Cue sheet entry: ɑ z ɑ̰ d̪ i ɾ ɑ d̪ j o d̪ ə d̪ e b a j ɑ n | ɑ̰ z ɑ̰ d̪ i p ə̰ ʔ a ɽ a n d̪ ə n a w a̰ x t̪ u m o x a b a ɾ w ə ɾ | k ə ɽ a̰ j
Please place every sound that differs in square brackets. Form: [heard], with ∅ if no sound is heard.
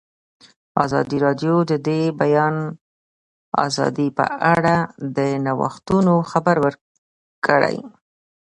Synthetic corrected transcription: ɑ z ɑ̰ d̪ i ɾ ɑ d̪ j o d̪ ə d̪ e b a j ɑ n | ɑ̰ z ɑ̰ d̪ i p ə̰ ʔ a ɽ a [∅] d̪ ə n a w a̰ x t̪ u [n] o x a b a ɾ w ə ɾ | k ə ɽ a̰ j